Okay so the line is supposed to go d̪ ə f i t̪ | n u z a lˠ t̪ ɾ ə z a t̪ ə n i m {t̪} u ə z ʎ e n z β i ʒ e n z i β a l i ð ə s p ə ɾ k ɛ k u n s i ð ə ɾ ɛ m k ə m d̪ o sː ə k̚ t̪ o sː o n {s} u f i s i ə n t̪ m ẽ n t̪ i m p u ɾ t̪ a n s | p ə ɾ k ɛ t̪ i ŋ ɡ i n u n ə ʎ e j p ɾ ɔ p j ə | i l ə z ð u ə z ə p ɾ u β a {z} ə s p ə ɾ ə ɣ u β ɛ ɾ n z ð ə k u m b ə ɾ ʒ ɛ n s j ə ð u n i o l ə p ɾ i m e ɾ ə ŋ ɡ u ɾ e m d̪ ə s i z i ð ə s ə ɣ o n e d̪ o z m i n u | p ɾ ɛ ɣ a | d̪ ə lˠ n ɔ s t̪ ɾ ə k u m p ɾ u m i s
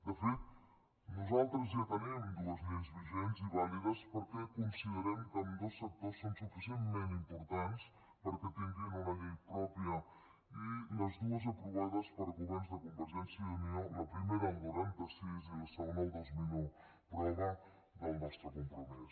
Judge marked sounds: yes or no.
no, yes, no

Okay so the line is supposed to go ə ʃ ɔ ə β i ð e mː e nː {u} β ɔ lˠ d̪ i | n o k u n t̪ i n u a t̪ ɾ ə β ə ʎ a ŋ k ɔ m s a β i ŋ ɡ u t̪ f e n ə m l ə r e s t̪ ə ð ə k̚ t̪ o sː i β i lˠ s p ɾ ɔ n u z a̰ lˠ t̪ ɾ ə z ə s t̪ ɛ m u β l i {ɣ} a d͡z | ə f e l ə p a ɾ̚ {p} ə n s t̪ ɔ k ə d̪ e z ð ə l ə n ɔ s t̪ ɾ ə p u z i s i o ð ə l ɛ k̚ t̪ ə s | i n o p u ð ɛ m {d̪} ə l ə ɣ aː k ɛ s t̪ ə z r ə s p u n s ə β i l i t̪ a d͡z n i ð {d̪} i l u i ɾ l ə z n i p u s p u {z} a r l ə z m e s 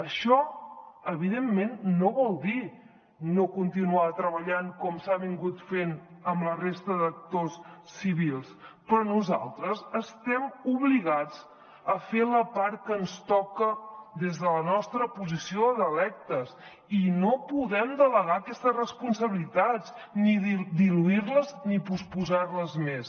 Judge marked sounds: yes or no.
no, yes, no, yes, yes, yes

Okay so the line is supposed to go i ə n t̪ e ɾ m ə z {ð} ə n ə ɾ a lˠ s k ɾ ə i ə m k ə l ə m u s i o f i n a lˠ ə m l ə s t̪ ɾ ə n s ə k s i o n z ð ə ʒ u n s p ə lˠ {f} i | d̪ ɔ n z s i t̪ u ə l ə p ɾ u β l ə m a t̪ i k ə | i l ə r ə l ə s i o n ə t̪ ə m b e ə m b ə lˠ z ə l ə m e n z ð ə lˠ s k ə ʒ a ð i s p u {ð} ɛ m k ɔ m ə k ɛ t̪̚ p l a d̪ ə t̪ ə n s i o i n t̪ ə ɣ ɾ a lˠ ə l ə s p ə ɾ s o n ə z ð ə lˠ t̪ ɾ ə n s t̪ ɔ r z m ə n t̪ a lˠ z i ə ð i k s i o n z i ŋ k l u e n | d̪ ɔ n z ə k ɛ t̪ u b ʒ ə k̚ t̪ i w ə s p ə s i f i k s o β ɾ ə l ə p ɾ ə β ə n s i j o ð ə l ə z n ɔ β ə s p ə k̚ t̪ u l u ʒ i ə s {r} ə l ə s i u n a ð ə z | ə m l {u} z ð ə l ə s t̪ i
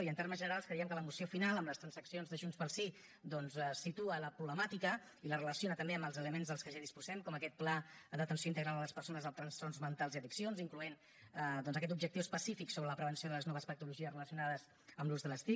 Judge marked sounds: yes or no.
no, no, no, yes, yes

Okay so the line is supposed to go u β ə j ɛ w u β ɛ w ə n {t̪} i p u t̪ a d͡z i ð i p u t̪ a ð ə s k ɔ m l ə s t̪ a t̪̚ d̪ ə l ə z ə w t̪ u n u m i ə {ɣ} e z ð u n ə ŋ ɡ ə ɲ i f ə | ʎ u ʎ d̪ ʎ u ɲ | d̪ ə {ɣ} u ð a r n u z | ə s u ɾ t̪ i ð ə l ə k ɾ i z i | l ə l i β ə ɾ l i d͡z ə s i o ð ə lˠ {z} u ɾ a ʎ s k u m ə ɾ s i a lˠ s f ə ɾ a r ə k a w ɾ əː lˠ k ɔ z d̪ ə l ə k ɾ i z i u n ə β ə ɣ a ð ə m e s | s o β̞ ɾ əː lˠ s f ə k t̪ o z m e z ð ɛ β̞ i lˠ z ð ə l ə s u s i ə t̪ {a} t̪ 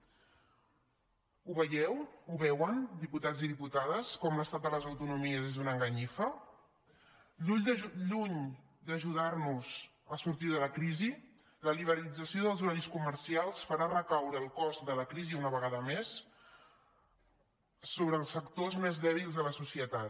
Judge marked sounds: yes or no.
no, no, no, yes, yes

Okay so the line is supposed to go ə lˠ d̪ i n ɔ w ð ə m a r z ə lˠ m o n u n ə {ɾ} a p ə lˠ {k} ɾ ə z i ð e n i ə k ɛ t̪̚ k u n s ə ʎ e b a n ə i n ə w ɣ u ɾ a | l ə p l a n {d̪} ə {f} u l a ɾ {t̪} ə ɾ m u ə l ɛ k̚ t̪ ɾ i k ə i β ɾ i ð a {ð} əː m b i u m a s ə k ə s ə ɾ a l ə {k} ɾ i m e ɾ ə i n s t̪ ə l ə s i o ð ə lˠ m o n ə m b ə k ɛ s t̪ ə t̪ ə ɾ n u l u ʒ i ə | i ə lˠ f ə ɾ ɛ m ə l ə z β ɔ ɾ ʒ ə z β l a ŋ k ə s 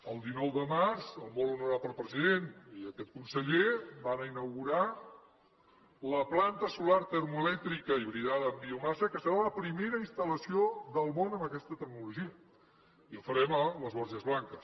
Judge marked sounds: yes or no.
yes, no, no, no, yes, yes, no

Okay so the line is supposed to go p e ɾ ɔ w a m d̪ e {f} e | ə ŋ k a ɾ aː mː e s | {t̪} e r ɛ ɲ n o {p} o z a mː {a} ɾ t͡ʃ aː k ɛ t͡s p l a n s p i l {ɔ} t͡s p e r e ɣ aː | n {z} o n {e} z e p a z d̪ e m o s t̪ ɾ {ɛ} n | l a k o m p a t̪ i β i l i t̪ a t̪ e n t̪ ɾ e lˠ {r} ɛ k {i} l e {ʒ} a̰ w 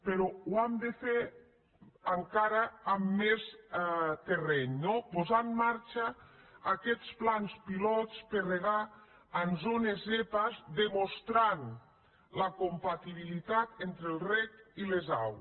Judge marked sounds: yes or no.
yes, yes, yes, yes, yes, yes, yes, no, yes, yes, no

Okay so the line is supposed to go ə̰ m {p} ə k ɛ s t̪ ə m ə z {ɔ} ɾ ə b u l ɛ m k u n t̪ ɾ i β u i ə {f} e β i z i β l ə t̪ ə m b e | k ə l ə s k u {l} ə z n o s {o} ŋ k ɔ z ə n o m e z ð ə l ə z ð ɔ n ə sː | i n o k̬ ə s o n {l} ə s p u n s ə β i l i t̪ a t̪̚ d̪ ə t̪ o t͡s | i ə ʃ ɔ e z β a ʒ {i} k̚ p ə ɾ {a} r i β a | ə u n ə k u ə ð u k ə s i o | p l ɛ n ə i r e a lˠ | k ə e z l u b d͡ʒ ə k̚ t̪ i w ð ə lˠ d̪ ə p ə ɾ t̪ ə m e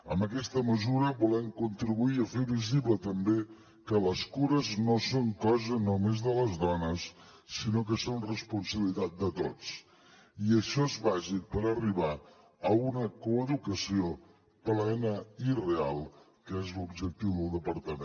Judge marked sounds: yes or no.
no, no, yes, no, yes, no, yes, no

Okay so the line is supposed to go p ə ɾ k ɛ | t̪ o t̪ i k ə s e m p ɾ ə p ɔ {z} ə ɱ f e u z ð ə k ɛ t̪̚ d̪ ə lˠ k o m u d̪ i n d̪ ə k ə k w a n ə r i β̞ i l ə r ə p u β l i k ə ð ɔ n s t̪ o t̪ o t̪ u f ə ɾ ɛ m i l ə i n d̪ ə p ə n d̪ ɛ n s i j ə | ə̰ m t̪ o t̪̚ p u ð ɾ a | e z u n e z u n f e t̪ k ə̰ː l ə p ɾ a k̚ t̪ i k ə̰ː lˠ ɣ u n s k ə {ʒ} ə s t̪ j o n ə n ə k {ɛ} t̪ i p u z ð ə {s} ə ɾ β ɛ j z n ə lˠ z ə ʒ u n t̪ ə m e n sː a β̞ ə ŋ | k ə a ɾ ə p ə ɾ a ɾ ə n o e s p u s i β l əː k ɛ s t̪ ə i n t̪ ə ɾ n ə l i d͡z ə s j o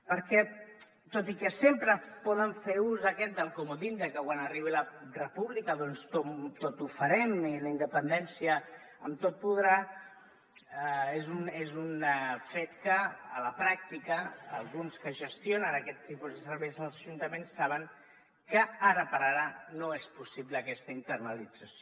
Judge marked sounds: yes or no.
no, yes, yes, yes

